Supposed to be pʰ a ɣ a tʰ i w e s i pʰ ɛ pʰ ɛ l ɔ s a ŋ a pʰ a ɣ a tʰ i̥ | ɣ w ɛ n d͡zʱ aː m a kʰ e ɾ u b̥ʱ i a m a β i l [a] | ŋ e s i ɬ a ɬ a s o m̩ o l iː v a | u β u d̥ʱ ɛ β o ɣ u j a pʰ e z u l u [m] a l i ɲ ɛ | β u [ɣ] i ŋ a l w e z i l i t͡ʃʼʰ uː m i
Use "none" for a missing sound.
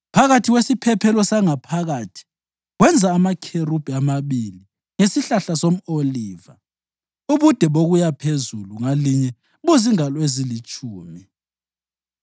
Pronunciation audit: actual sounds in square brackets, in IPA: i, ŋ, z

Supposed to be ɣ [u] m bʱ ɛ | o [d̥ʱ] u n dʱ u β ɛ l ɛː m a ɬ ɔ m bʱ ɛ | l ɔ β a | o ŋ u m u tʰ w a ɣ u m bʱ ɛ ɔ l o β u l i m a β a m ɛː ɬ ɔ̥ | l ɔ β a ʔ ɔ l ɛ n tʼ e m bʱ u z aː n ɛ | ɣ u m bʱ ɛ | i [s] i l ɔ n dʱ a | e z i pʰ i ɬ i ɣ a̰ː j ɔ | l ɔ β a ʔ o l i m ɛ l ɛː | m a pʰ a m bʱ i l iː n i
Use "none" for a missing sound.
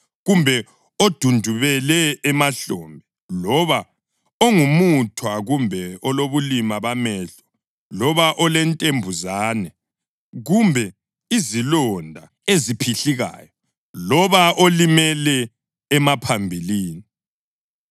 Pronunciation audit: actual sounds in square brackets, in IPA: u, d̥ʱ, z

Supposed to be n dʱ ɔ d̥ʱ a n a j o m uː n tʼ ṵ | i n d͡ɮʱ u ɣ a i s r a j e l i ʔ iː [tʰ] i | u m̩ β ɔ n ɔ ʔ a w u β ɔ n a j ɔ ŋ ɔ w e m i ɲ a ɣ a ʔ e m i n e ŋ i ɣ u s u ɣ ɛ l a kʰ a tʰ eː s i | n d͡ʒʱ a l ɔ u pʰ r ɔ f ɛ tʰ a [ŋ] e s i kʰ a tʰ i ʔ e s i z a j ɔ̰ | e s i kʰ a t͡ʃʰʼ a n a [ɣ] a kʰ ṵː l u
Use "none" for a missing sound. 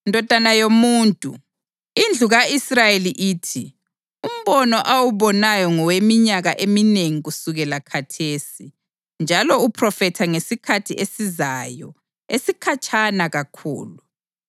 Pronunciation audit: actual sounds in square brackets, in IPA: tʰ, ŋ, ɣ

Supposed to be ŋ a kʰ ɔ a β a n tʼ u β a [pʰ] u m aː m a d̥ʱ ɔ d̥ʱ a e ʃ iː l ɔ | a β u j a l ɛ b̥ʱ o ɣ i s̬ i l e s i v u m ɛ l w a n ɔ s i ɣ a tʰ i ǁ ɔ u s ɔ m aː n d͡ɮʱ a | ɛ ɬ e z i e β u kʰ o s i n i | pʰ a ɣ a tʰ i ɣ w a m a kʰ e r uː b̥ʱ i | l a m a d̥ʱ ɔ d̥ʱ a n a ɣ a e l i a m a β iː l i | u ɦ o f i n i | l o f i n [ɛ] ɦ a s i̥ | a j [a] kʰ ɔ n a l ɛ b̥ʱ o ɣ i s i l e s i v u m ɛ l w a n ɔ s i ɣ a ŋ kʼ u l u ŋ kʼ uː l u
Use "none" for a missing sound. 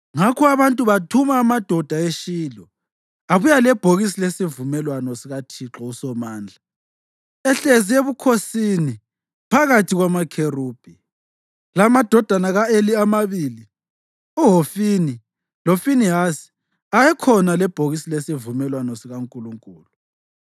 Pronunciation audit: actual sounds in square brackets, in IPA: tʰ, i, ɛ

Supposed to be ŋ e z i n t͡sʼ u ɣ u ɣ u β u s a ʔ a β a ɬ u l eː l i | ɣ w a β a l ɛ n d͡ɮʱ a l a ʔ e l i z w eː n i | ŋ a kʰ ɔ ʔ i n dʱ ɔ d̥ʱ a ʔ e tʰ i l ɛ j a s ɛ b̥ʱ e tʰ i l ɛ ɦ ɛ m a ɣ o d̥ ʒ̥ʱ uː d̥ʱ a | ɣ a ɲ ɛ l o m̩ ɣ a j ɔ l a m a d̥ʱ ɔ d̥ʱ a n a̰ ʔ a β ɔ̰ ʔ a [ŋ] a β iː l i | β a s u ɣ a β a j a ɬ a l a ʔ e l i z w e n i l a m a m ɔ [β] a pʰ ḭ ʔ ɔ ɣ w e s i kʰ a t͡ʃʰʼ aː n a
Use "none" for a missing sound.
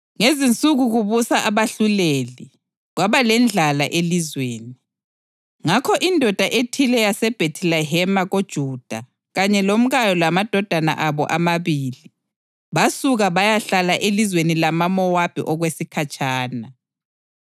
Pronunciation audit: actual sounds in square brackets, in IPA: m, w

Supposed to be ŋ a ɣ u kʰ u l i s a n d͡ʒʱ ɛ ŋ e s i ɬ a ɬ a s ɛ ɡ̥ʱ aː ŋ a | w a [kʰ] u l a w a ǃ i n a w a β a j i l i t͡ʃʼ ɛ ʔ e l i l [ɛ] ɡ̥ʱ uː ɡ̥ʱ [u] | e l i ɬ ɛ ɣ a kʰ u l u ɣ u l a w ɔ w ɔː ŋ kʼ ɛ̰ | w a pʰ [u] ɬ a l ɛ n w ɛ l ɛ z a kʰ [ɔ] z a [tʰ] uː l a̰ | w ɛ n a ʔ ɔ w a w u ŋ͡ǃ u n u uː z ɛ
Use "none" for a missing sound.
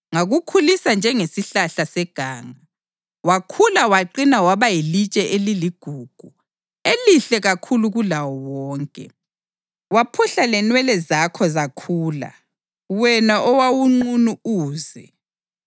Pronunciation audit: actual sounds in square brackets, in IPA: kʰ, i, u, u, ɔ, kʰ

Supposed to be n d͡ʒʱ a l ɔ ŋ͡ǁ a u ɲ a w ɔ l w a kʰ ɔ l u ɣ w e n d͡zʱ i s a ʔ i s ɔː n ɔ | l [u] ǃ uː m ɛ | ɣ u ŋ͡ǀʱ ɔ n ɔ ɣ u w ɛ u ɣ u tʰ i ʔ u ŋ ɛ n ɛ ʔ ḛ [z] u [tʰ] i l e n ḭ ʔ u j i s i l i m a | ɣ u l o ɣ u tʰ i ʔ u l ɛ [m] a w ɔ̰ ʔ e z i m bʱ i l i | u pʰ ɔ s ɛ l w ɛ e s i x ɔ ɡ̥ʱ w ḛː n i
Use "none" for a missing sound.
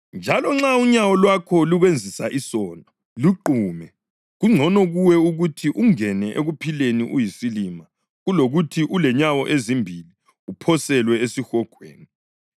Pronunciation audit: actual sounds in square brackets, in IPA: u, ɣ, pʰ, ɲ

